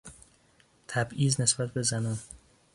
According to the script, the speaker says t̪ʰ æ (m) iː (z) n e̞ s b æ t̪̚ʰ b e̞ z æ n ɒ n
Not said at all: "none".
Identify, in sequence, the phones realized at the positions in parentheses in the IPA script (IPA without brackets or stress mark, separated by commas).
b, z